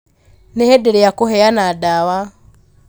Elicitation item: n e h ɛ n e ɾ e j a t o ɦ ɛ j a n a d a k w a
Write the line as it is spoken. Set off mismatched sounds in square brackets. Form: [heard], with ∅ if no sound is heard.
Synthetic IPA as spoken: n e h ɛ [d] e ɾ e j a [k] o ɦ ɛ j a n a d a [∅] w a

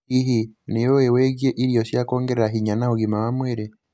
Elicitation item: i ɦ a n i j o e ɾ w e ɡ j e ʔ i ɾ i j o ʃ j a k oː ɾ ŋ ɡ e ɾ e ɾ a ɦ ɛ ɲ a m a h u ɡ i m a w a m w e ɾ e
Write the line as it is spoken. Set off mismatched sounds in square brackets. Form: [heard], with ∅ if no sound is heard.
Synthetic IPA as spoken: i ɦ [i] n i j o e [∅] w e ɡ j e ʔ i ɾ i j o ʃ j a k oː [∅] ŋ ɡ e ɾ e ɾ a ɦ [i] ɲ a [n] a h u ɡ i m a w a m w e ɾ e

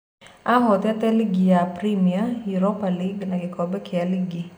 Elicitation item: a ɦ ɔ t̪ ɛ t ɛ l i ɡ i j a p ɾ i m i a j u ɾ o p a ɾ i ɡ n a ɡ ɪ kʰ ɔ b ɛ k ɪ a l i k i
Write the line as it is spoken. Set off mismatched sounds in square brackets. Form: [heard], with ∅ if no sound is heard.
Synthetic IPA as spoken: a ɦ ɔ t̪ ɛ t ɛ l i ɡ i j a p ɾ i m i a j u ɾ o p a [l] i ɡ n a ɡ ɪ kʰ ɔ b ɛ k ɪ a l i [ɡ] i

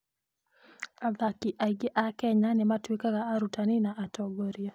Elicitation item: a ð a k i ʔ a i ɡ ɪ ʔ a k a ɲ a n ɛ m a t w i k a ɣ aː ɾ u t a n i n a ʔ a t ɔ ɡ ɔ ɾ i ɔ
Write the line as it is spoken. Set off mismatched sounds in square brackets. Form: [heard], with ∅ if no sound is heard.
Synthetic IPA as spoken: a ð a k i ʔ a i ɡ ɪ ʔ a k [ɛ] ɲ a n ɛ m a t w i k a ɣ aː ɾ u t a n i n a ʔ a t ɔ ɡ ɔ ɾ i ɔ

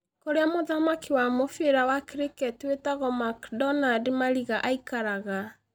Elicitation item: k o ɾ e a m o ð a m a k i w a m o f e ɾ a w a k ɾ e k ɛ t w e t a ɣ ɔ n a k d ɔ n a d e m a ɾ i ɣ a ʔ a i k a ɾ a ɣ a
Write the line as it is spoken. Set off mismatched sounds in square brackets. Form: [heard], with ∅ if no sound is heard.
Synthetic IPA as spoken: k o ɾ e a m o ð a m a k i w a m o f e ɾ a w a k ɾ e k ɛ t w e t a ɣ ɔ [m] a k d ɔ n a d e m a ɾ i ɣ a ʔ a i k a ɾ a ɣ a

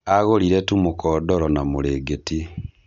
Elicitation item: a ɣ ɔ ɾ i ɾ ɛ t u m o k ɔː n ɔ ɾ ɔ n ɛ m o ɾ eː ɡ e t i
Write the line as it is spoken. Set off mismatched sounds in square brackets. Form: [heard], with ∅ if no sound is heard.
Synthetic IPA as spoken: a ɣ [o] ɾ i ɾ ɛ t u m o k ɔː [d] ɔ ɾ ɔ n [a] m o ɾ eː ɡ e t i

